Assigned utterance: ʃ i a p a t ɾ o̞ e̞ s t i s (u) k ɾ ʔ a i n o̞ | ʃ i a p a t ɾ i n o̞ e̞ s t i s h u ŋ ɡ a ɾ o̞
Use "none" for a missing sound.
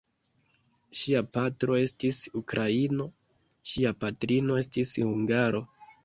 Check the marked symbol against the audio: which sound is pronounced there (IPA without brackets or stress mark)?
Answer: u